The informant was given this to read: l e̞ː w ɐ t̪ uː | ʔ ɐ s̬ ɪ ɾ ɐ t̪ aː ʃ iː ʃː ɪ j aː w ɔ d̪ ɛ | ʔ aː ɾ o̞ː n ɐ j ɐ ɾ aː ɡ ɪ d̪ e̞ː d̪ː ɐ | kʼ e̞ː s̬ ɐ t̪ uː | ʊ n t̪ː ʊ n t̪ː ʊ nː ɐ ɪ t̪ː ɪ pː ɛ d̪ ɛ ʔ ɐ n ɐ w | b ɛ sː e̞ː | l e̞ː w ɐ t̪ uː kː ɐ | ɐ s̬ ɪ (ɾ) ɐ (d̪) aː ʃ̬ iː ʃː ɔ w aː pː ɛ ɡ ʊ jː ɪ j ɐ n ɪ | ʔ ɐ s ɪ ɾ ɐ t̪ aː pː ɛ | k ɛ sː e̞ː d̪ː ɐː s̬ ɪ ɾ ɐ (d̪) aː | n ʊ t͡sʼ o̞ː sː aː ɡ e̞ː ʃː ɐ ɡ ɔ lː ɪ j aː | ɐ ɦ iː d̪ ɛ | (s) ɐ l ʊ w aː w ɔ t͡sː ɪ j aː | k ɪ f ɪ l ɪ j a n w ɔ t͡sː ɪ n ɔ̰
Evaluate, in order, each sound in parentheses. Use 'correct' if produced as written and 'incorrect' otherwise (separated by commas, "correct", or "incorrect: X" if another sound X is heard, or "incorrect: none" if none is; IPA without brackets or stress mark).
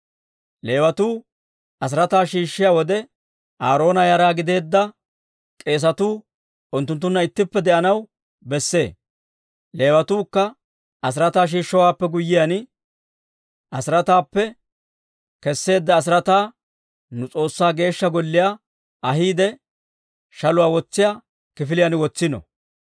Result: correct, incorrect: t̪, incorrect: t̪, incorrect: ʃ